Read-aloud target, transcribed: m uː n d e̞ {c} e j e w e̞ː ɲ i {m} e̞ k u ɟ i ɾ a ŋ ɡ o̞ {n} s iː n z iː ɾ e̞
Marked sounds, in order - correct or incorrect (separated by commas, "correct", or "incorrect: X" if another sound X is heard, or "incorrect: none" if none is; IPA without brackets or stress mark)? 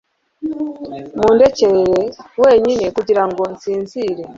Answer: correct, incorrect: n, correct